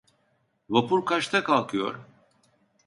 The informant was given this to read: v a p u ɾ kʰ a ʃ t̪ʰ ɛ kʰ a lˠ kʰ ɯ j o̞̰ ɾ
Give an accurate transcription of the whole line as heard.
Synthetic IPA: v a p u ɾ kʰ a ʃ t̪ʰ a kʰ a lˠ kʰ ɯ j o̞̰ ɾ